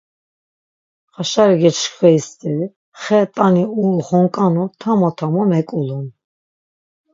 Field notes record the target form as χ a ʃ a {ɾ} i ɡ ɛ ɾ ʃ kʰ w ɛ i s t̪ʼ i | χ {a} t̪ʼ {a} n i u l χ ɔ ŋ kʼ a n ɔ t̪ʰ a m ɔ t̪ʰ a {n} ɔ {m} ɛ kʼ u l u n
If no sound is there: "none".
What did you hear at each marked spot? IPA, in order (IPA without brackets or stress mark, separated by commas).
ɾ, ɛ, a, m, m